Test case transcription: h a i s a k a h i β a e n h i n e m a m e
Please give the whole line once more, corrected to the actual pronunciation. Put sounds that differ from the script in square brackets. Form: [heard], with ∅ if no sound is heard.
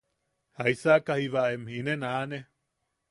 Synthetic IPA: h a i s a k a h i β a e [m] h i n e [n] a [n] e

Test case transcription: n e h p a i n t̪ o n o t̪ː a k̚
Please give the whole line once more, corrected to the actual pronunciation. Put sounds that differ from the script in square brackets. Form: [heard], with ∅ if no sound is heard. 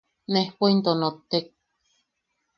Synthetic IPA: n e h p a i n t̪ o n o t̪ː [e] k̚

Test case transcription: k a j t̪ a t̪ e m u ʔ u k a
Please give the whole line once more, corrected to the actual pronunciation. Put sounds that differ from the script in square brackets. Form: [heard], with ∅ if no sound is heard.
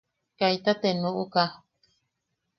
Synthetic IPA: k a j t̪ a t̪ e [n] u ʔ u k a

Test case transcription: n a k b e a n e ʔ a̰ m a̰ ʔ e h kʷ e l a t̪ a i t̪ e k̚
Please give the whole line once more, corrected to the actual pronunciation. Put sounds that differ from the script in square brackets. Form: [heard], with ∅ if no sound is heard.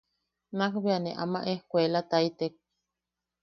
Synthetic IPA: n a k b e a n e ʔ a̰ m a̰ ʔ e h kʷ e l a t̪ a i t̪ e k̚

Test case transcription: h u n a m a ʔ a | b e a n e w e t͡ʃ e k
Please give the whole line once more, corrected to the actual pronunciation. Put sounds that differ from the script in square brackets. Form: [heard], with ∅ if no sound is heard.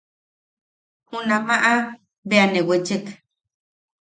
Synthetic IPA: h u n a m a ʔ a | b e a n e w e t͡ʃ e k

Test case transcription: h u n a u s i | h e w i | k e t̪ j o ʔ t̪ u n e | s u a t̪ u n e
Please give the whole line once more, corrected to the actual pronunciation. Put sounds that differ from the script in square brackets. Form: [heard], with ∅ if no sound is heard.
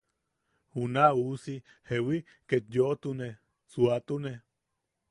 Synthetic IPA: h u n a u s i | h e w i | k e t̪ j o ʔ t̪ u n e | s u a t̪ u n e

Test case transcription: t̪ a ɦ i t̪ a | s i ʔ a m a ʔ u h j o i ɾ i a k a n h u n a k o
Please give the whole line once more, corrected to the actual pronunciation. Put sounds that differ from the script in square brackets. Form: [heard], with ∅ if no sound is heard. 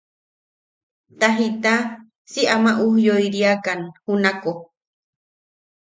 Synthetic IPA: t̪ a ɦ i t̪ a | s i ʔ a m a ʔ u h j o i ɾ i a k a n h u n a k o

